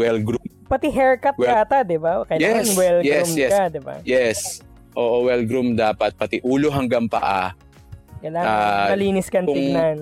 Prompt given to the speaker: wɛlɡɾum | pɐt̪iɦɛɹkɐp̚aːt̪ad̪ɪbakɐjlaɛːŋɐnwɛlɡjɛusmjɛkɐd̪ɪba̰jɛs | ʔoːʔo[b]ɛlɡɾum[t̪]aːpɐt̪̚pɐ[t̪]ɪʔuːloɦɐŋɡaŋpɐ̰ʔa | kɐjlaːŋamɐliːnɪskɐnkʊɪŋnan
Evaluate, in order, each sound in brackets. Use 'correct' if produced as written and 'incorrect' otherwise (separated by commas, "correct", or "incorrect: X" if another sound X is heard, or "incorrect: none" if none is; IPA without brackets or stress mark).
incorrect: w, incorrect: d̪, correct